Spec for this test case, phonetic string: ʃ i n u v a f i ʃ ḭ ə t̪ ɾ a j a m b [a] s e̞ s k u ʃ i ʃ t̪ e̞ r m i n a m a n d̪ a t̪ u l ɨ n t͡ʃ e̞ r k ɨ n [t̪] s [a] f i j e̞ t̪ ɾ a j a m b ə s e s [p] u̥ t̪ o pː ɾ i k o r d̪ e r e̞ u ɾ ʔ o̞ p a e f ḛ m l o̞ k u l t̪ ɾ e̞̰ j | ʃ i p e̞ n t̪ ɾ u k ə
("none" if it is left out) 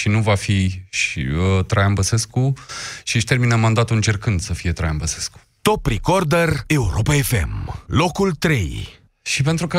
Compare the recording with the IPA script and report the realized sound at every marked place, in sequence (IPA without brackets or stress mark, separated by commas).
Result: ə, d̪, ə, k